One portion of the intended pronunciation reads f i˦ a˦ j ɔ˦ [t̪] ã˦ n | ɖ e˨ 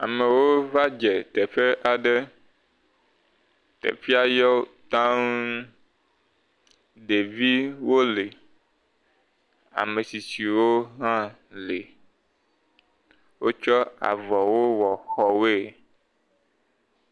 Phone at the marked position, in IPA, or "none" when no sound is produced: t̪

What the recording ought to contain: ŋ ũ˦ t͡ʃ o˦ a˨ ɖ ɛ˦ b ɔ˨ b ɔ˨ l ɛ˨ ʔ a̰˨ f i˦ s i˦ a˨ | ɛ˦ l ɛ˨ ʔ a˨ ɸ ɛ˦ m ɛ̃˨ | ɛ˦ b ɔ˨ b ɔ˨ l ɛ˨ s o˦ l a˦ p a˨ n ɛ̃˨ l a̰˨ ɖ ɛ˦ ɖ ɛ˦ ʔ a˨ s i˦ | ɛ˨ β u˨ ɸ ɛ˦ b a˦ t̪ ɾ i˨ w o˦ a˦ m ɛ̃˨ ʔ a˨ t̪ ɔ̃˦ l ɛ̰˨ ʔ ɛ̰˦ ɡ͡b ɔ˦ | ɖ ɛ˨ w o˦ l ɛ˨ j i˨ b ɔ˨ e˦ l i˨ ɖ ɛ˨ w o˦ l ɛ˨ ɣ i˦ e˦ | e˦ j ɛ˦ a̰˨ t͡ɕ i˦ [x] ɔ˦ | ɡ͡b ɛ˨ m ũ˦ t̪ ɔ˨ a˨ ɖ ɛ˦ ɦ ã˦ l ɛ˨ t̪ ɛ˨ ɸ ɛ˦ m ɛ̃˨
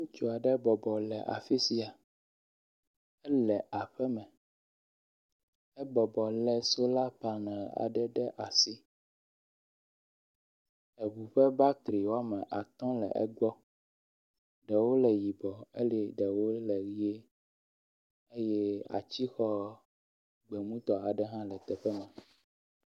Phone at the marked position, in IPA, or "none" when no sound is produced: x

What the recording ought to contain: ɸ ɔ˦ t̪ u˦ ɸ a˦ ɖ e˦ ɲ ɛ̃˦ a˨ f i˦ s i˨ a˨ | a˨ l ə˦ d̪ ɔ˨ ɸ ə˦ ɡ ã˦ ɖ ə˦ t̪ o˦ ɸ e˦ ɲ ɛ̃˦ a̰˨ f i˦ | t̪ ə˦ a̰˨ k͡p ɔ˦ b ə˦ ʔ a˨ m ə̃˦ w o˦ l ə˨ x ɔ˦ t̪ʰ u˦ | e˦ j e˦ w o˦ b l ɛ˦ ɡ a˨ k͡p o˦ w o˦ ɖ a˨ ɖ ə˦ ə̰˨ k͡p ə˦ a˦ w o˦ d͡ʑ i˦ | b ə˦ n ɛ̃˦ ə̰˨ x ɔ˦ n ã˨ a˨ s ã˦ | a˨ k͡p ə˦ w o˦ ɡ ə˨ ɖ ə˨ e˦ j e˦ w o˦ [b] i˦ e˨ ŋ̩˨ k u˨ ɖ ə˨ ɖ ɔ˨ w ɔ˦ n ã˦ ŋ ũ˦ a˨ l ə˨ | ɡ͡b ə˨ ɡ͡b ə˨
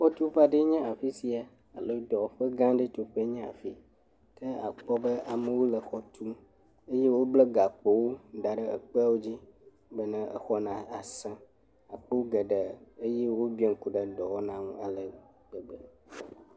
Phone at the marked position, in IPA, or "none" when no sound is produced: b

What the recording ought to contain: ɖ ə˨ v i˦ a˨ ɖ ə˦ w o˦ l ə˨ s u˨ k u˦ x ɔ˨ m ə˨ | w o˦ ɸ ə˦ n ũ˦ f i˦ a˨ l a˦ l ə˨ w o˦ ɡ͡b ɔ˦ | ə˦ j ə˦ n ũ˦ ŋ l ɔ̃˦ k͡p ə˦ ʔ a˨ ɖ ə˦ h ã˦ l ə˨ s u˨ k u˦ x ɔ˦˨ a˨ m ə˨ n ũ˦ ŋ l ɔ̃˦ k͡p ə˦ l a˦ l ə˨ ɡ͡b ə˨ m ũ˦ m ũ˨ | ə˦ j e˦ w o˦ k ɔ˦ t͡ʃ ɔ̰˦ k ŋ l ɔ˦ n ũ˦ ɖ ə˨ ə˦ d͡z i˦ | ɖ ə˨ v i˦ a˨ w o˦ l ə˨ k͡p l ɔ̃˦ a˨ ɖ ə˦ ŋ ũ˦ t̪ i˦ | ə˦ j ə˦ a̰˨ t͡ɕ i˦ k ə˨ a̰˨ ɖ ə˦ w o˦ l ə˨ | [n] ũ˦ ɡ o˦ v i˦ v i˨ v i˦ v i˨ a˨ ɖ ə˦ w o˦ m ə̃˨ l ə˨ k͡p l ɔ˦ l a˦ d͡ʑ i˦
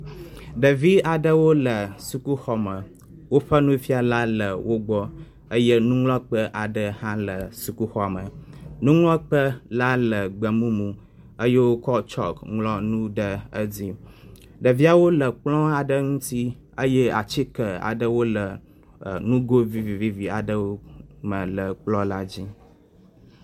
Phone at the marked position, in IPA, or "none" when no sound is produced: n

